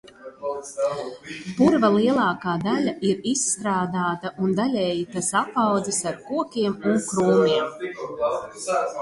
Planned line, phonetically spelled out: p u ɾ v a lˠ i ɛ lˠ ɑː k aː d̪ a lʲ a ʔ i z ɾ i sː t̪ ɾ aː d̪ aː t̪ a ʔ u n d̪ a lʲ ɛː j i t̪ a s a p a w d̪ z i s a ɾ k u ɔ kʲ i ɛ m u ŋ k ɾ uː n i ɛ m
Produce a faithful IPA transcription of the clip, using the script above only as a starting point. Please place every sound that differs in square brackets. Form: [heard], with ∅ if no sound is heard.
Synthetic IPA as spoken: p u ɾ v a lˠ i ɛ lˠ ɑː k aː d̪ a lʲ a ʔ i [∅] ɾ i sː t̪ ɾ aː d̪ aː t̪ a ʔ u n d̪ a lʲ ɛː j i t̪ a s a p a w d̪ z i s a ɾ k u ɔ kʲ i ɛ m u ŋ k ɾ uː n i ɛ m